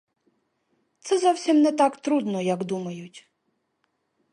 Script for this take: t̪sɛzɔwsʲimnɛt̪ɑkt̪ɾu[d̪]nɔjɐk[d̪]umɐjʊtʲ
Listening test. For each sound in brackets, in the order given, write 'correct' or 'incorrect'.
correct, correct

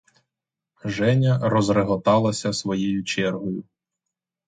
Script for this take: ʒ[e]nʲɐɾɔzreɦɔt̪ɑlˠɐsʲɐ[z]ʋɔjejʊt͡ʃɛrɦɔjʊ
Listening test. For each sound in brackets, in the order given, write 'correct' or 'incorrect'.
incorrect: ɛ, incorrect: s

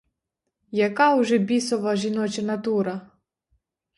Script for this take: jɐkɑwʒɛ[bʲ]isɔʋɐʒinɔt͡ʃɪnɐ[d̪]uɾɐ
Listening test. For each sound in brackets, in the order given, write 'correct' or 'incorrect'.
correct, incorrect: t̪

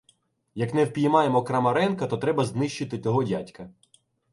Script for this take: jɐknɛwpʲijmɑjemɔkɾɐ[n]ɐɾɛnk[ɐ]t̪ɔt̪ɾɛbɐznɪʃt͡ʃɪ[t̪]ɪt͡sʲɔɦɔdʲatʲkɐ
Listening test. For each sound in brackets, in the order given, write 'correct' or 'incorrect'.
incorrect: m, correct, correct

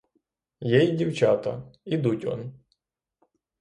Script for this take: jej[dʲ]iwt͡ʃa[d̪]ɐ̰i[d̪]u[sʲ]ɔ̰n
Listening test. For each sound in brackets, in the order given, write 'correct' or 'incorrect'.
correct, incorrect: t̪, correct, incorrect: tʲ

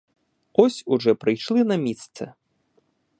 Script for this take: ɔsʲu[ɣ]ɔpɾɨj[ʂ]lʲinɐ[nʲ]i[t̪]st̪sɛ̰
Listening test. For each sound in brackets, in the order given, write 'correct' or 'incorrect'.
incorrect: ʐ, correct, incorrect: mʲ, correct

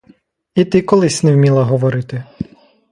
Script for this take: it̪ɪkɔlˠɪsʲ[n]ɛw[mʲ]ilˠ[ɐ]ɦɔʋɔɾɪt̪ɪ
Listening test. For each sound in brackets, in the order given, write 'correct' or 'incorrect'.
correct, correct, correct

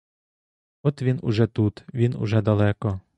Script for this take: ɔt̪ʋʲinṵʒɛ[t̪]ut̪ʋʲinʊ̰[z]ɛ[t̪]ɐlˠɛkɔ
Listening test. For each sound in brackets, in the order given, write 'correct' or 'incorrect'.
correct, incorrect: ʒ, incorrect: d̪

